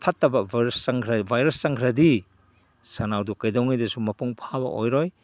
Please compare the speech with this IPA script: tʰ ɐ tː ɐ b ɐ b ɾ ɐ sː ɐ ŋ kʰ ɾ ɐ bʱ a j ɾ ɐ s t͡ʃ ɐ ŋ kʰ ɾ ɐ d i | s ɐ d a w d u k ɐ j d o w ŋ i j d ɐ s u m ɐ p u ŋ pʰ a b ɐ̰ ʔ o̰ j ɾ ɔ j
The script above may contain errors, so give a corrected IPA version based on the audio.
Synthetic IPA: pʰ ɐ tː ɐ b ɐ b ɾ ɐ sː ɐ ŋ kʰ ɾ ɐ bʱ a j ɾ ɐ s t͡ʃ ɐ ŋ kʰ ɾ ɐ d i | s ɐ n a w d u k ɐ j d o w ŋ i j d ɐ s u m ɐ p u ŋ pʰ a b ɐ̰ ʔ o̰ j ɾ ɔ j